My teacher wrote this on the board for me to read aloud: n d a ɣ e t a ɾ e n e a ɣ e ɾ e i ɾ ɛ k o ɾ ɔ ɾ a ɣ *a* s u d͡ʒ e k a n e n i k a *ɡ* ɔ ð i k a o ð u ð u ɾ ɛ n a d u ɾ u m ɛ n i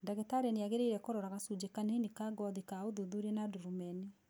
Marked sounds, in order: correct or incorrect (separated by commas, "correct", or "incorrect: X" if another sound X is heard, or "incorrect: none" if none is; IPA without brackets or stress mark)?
correct, correct